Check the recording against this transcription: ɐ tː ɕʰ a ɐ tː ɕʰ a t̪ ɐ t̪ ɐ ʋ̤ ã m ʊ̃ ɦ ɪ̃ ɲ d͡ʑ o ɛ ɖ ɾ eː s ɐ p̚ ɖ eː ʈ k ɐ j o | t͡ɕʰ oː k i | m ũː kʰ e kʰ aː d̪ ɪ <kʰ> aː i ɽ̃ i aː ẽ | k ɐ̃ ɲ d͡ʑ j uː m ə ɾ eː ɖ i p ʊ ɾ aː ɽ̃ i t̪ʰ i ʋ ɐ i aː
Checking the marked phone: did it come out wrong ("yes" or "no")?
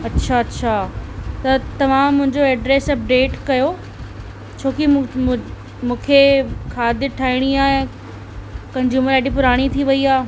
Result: yes